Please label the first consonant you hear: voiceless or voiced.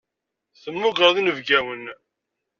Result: voiceless